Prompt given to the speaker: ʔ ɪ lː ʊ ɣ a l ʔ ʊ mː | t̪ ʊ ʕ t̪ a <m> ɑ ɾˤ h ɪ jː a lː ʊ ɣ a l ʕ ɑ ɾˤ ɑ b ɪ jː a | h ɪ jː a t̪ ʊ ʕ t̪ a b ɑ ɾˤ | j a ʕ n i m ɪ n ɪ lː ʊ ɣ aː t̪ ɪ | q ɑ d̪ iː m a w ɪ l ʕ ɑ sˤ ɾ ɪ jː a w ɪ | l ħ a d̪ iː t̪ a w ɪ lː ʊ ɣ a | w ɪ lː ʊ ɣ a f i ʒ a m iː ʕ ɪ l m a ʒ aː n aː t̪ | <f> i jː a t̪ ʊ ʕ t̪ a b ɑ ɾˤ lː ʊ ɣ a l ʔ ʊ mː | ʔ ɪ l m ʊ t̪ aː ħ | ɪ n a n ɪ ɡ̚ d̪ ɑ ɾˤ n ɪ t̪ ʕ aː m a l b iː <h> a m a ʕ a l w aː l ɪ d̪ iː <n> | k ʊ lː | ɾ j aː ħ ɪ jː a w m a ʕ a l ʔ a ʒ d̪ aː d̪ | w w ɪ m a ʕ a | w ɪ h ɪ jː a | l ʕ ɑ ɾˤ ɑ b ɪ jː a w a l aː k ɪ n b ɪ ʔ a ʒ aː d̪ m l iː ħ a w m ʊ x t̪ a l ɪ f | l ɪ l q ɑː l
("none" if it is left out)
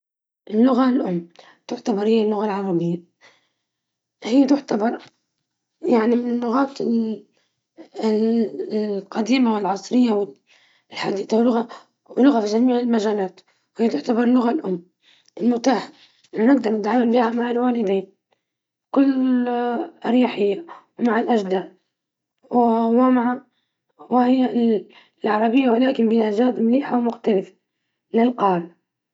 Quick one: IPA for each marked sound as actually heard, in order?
b, h, h, n

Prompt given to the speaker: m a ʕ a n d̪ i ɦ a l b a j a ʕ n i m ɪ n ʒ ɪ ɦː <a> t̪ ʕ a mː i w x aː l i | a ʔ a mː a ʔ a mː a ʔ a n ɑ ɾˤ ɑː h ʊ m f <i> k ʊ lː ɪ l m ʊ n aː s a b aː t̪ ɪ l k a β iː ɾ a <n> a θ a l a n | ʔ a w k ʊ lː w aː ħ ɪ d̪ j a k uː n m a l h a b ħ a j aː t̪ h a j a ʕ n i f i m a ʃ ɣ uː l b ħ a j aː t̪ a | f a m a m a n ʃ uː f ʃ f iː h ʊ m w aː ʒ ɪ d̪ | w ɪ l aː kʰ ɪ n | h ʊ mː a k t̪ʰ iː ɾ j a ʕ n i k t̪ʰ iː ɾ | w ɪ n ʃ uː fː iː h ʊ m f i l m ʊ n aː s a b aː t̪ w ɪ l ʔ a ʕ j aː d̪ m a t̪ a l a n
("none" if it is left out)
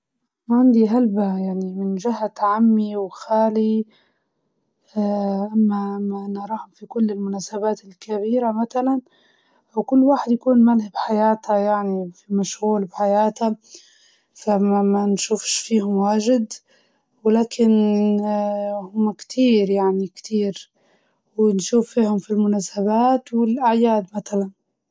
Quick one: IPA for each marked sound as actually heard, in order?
a, i, m

